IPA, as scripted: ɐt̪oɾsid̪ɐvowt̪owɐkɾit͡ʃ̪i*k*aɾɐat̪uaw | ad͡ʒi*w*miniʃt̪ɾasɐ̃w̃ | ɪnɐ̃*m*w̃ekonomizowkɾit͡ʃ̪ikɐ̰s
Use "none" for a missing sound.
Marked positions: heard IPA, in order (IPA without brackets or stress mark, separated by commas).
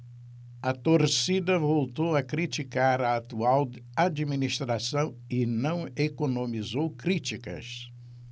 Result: k, none, none